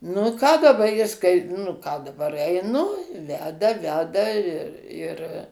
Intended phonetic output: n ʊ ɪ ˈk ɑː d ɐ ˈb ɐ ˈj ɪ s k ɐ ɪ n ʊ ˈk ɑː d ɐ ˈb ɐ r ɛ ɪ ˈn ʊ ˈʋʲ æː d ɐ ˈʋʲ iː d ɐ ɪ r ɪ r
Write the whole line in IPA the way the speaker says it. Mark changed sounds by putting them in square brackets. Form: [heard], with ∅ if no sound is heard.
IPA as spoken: n ʊ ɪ ˈk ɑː d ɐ ˈb ɐ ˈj ɪ s k ɐ ɪ n ʊ ˈk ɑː d ɐ ˈb ɐ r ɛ ɪ ˈn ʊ ˈʋʲ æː d ɐ ˈʋʲ [æː] d ɐ ɪ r ɪ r